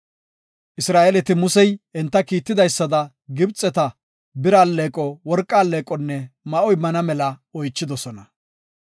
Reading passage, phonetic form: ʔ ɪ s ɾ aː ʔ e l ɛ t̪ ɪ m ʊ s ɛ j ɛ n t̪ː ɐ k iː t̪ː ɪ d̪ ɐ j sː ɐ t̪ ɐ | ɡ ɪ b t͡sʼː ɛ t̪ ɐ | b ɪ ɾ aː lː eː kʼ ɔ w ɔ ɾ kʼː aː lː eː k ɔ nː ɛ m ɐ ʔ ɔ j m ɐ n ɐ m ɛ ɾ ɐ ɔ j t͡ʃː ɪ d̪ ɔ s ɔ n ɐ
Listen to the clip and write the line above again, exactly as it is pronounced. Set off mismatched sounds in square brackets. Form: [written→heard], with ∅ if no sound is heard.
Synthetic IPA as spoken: ʔ ɪ s ɾ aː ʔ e l ɛ t̪ ɪ m ʊ s ɛ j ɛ n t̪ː ɐ k iː t̪ː ɪ d̪ ɐ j sː ɐ [t̪→d̪] ɐ | ɡ ɪ b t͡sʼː ɛ t̪ ɐ | b ɪ ɾ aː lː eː kʼ ɔ w ɔ ɾ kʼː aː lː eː [k→kʼ] ɔ nː ɛ m ɐ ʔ ɔ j m ɐ n ɐ m ɛ [ɾ→l] ɐ ɔ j t͡ʃː ɪ d̪ ɔ s ɔ n ɐ